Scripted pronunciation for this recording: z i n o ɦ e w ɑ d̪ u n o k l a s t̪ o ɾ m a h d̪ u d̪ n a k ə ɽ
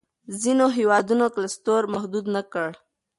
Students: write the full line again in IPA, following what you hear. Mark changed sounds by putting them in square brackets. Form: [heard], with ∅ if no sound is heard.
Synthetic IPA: z i n o ɦ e w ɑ d̪ u n o k l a s t̪ o ɾ m a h d̪ u d̪ n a k ə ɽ